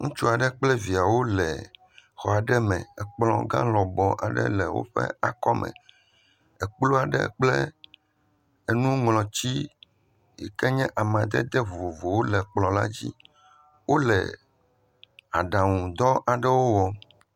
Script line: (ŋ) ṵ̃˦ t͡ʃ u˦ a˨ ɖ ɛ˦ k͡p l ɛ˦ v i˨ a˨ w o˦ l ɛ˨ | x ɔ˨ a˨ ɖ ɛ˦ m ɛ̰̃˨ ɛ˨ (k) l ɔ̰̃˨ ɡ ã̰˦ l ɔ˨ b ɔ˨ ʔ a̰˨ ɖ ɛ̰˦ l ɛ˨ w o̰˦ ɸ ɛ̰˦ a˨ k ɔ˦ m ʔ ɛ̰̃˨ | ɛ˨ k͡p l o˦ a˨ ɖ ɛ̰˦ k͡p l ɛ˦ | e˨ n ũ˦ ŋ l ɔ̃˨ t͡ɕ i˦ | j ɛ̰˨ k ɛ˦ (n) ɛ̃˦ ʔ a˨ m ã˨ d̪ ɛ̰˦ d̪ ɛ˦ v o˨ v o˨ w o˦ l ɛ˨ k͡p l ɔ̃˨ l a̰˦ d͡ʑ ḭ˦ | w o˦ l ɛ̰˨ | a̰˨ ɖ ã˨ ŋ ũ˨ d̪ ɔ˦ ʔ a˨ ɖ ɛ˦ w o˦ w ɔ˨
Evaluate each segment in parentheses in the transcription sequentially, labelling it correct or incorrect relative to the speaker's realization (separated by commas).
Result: correct, incorrect, incorrect